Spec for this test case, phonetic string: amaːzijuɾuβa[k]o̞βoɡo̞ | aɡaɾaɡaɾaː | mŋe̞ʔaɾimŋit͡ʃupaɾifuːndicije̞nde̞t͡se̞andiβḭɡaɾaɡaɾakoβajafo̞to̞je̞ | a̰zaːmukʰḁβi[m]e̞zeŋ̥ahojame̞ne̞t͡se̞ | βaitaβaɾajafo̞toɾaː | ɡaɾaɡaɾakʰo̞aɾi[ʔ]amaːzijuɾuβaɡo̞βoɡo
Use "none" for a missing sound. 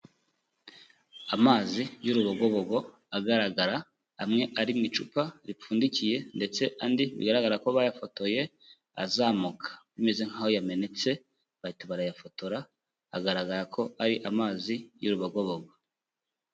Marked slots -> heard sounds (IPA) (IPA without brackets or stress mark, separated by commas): ɡ, m, ʔ